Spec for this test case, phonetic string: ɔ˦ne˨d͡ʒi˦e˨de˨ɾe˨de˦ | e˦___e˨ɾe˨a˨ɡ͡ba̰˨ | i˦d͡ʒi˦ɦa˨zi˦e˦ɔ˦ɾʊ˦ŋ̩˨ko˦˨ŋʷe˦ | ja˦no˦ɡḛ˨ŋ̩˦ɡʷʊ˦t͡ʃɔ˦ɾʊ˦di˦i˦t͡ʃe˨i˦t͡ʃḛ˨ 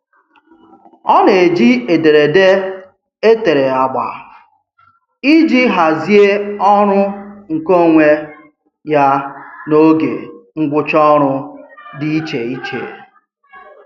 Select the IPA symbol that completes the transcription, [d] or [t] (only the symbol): t